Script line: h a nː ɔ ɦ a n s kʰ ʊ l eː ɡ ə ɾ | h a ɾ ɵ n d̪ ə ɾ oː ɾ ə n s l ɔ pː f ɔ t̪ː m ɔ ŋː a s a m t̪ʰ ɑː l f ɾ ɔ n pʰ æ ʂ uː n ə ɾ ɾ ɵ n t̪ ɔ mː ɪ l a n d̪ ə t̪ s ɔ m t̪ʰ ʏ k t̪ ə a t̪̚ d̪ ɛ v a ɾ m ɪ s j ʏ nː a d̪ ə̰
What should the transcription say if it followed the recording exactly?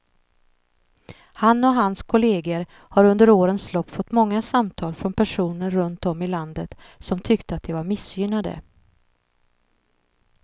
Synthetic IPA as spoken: h a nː ɔ ɦ a n s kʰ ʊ l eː ɡ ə ɾ | h a ɾ ɵ n d̪ ə ɾ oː ɾ ə n s l ɔ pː f ɔ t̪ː m ɔ ŋː a s a m t̪ʰ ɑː l f ɾ ɔ n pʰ æ ʂ uː n ə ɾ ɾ ɵ n t̪ ɔ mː ɪ l a n d̪ ə t̪ s ɔ m t̪ʰ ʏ k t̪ ə a t̪̚ d̪ ɛ v a ɾ m ɪ s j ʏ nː a d̪ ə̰